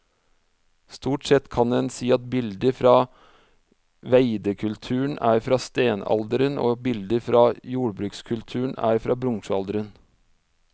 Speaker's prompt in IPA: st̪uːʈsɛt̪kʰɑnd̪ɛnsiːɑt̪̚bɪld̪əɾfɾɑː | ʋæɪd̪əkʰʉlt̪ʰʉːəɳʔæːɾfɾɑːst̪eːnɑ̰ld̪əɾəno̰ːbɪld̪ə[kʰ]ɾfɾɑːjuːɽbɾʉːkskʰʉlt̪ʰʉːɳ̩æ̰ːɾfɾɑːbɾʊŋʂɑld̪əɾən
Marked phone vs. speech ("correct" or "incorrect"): incorrect